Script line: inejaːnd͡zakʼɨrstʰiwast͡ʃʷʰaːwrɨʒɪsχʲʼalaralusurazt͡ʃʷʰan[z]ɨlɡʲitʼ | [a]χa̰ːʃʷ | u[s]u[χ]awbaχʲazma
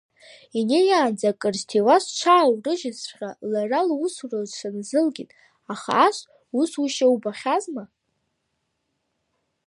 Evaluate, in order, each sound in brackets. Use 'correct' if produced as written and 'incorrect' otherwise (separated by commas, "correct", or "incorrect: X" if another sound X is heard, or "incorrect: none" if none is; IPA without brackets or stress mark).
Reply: correct, correct, correct, incorrect: ʃ